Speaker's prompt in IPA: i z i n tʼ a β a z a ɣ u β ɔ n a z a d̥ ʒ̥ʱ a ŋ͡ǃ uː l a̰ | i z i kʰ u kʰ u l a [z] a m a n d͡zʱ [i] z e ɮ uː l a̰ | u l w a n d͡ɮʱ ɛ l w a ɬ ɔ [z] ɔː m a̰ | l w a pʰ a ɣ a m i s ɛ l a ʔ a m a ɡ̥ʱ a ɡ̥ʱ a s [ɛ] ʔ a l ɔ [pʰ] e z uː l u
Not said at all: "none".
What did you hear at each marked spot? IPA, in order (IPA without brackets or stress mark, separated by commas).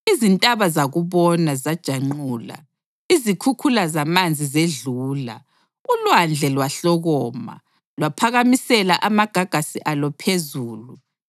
z, i, ɣ, i, pʰ